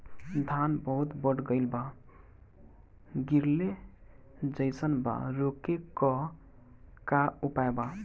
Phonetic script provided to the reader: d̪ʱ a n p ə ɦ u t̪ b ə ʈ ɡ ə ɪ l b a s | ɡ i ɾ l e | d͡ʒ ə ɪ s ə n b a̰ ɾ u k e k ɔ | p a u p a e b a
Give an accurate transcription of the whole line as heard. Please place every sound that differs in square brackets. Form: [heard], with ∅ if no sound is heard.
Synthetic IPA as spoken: d̪ʱ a n [b] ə ɦ u t̪ b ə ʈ ɡ ə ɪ l b a [∅] | ɡ i ɾ l e | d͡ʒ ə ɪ s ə n b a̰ ɾ [o] k e k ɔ | [k] a u p a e b a